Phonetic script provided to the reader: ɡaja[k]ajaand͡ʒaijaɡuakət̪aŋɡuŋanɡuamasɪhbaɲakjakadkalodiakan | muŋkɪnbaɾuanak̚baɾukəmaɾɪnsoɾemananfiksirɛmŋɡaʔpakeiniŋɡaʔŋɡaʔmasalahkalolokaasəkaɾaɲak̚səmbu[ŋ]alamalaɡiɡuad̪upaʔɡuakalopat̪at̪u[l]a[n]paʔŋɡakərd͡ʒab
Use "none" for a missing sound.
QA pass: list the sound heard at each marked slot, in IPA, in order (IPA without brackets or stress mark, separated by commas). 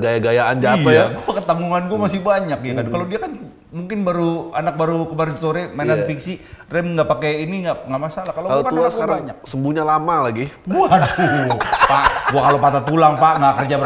ɡ, ɲ, l, ŋ